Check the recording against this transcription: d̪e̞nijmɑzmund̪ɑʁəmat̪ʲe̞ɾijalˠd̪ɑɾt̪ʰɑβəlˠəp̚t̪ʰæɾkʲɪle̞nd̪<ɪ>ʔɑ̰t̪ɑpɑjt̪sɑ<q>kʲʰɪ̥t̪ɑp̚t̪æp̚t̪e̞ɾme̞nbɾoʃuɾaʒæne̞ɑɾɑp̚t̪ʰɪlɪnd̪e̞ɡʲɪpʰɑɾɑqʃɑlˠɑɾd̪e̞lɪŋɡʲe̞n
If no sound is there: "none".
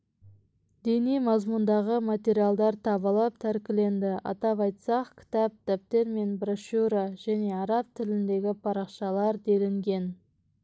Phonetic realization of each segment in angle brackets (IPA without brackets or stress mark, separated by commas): ɪ, q